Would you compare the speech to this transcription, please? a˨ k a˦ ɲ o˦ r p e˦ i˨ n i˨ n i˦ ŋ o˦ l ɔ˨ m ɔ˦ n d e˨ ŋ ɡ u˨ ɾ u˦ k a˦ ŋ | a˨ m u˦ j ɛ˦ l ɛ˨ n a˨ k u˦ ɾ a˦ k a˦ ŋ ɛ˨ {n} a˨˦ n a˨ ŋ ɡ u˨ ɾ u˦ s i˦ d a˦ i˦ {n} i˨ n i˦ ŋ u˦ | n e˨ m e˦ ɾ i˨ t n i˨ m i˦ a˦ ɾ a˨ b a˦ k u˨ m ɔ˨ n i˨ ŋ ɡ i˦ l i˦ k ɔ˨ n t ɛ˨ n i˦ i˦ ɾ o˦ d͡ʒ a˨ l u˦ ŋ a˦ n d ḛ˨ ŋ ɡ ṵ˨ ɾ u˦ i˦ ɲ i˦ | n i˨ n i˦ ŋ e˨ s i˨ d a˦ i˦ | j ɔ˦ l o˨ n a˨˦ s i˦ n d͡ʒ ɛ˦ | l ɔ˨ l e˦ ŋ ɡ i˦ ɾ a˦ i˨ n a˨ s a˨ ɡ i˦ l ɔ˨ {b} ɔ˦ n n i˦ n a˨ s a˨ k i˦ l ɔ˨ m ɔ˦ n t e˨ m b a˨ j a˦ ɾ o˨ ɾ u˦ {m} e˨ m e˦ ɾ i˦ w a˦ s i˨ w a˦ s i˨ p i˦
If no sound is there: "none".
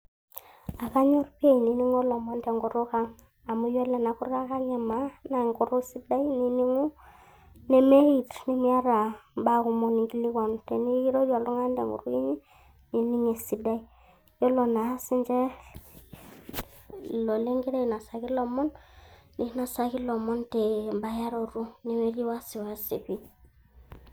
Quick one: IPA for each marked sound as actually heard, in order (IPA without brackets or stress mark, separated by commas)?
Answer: m, n, m, n